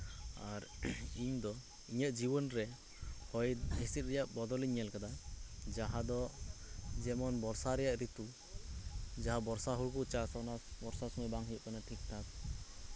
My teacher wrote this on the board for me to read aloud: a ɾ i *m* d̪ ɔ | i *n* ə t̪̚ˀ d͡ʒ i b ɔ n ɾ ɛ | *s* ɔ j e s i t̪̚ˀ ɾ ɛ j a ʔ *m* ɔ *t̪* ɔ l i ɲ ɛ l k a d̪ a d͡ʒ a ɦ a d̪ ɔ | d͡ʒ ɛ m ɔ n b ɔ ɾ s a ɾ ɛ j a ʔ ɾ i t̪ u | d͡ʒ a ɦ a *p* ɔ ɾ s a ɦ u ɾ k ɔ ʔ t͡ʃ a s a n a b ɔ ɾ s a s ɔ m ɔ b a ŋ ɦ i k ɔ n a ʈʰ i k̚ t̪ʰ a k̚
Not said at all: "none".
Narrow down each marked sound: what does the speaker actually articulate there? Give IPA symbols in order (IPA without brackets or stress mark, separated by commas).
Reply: ɲ, ɲ, h, b, d̪, b